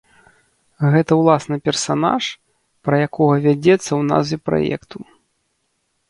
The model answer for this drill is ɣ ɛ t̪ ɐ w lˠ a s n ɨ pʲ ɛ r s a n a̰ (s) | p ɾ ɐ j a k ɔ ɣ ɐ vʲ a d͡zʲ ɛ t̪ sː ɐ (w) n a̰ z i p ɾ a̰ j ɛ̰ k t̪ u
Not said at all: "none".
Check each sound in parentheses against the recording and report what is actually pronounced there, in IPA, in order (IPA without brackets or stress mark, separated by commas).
ʂ, w